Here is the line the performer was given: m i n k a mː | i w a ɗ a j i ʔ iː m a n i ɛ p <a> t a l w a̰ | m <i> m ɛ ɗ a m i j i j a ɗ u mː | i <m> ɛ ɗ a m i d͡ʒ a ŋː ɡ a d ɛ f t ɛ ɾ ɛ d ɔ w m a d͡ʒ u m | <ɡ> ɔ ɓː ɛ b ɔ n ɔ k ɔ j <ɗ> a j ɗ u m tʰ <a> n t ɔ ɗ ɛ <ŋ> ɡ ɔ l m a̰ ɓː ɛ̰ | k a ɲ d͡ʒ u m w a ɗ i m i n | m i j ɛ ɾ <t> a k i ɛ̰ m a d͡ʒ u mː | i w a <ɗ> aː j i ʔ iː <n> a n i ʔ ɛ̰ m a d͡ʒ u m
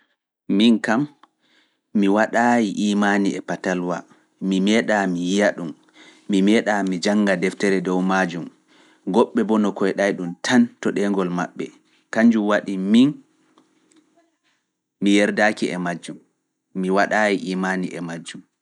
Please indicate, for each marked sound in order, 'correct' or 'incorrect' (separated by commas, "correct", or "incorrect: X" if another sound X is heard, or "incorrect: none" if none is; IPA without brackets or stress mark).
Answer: correct, correct, correct, correct, correct, correct, correct, incorrect: d, correct, incorrect: m